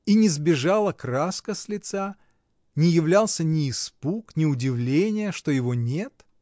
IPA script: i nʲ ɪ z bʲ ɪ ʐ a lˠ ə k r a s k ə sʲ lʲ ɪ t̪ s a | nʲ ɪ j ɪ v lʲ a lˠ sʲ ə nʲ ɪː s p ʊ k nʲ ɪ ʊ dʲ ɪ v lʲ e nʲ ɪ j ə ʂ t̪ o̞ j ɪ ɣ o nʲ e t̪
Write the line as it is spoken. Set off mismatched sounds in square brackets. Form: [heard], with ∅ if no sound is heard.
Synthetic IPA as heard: i nʲ ɪ z bʲ ɪ ʐ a lˠ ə k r a s k ə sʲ lʲ ɪ t̪ s a | nʲ ɪ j ɪ v lʲ a lˠ sʲ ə nʲ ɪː s p [u] k nʲ ɪ ʊ dʲ ɪ v lʲ e nʲ ɪ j ə ʂ t̪ o̞ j ɪ [v] o nʲ e t̪